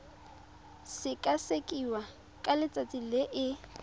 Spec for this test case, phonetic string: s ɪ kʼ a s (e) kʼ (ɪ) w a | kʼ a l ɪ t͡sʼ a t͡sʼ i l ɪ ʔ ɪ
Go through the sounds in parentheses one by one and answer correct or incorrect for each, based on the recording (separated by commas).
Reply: correct, incorrect